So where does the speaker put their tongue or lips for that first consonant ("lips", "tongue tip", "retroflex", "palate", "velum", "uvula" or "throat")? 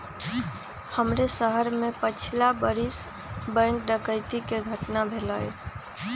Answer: throat